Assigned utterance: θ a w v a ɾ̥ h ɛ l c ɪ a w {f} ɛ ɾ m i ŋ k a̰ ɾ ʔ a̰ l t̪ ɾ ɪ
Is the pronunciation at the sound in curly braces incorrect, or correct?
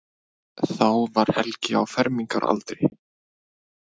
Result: correct